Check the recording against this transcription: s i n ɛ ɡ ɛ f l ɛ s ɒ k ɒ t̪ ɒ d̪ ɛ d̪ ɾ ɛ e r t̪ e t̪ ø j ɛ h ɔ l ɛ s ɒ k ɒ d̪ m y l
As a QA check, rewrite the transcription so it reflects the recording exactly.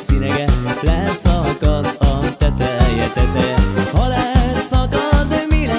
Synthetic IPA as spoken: s i n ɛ ɡ ɛ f l ɛ s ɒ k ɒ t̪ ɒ t̪ ɛ t̪ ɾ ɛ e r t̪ ɛ t̪ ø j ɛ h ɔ l ɛ s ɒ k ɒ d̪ m i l